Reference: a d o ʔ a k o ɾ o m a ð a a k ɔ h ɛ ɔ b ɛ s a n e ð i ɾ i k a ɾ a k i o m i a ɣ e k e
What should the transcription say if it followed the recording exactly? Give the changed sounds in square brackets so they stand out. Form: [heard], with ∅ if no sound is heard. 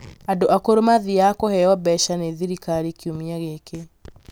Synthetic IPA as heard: a d o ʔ a k o ɾ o m a ð [i] a k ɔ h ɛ ɔ b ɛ [ʃ] a n e ð i ɾ i k a ɾ [i] k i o m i a ɣ e k e